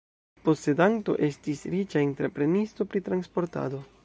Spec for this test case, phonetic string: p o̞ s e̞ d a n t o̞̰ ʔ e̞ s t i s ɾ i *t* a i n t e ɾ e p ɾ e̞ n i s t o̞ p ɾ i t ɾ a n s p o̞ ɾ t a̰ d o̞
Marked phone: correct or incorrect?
incorrect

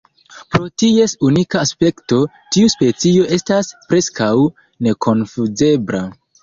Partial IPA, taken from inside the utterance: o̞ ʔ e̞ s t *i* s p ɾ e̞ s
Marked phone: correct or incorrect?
incorrect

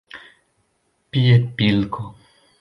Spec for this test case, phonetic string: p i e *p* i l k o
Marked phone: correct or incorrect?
correct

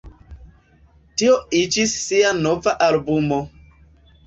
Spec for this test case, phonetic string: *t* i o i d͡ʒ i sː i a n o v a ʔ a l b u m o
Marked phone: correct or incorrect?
correct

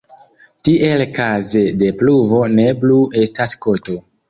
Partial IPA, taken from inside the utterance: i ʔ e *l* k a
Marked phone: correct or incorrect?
correct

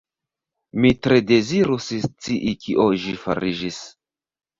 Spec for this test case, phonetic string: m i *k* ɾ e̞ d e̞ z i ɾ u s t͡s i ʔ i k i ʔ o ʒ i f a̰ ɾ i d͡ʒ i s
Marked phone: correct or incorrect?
incorrect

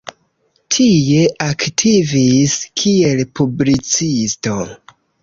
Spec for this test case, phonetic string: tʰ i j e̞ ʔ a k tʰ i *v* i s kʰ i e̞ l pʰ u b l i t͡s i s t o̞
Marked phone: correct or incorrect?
correct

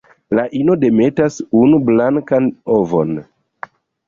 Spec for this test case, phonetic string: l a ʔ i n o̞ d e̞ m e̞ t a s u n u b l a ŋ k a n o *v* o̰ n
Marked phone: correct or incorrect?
correct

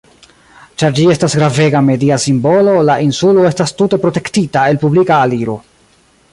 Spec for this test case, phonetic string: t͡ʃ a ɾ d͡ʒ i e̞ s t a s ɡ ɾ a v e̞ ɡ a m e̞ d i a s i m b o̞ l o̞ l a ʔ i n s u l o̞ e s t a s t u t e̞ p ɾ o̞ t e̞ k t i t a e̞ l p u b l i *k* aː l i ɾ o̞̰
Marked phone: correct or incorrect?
correct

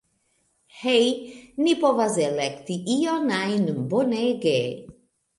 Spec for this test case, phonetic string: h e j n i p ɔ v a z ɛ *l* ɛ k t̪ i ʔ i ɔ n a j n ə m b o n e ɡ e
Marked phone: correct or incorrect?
correct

